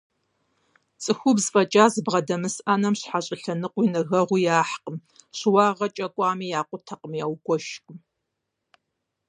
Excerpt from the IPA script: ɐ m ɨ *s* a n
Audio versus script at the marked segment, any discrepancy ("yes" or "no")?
no